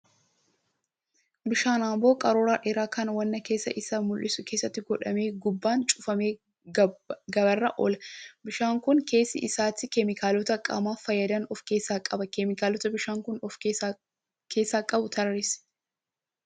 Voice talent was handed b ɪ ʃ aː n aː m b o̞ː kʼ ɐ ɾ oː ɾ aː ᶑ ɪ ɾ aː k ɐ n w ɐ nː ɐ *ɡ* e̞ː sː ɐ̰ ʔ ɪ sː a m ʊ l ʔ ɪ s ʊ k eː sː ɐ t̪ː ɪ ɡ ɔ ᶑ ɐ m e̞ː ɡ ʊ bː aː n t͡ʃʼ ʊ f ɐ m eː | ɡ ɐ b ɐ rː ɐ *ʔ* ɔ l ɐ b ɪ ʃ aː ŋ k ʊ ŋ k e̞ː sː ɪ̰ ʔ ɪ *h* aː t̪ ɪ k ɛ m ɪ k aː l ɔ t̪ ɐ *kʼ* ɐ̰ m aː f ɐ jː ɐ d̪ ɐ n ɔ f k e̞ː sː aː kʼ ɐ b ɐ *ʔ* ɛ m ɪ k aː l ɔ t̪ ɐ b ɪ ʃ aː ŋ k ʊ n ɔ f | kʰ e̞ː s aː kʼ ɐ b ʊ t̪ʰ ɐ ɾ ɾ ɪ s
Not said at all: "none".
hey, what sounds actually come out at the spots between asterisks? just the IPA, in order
k, ʔ, s, kʼ, k

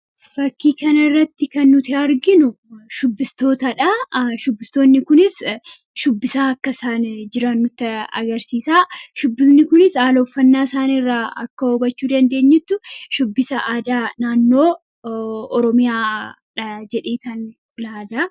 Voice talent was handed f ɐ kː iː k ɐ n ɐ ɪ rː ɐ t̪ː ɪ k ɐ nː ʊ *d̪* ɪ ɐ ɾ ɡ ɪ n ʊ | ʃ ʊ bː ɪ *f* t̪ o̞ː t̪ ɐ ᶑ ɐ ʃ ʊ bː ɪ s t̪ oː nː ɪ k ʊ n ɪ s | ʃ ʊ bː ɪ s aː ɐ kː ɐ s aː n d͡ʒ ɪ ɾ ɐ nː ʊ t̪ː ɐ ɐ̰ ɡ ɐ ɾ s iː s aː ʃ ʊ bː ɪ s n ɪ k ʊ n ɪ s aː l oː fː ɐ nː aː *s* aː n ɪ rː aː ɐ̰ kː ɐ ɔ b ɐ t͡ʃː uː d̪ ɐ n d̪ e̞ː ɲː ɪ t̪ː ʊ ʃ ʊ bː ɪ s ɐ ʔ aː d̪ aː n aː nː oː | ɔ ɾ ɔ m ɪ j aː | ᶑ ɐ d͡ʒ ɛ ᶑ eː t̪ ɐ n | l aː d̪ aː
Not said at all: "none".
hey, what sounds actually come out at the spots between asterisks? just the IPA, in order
t̪, s, s

